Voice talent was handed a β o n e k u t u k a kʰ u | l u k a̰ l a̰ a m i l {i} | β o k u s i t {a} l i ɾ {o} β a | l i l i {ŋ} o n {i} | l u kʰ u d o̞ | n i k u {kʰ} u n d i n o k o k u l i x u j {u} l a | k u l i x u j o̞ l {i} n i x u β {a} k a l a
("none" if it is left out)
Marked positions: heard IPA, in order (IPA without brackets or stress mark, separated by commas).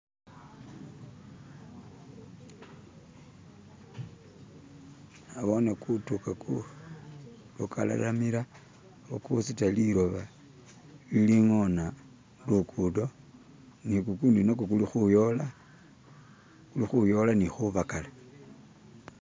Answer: a, a, o, ŋ, a, k, o, a, a